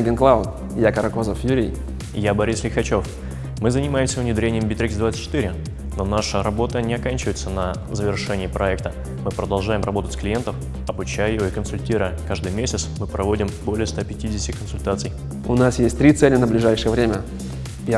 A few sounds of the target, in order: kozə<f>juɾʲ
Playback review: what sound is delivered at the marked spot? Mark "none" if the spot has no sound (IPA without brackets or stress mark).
f